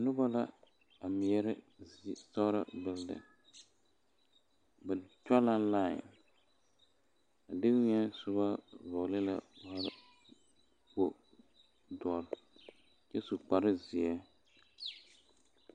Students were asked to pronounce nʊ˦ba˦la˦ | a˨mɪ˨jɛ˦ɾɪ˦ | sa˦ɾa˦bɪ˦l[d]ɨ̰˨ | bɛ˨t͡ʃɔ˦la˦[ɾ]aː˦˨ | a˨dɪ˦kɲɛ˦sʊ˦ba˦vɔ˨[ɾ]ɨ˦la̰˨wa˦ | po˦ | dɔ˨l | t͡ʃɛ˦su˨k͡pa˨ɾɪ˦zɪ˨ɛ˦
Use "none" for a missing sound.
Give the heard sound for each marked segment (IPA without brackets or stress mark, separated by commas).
d, l, l